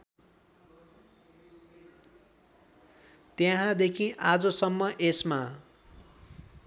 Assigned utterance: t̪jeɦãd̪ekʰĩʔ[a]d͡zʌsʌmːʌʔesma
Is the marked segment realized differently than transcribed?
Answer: no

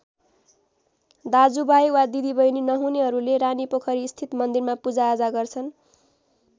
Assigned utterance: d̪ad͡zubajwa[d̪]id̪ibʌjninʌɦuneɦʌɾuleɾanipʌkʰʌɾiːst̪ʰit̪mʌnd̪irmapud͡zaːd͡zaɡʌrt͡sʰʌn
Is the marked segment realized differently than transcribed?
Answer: no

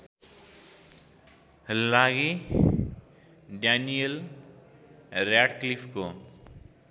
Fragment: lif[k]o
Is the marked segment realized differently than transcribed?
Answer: no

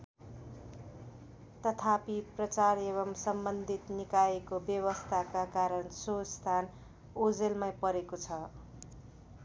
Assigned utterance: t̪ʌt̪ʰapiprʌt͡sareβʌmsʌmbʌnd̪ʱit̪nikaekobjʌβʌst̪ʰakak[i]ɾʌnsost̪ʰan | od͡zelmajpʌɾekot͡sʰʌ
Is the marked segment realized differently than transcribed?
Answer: yes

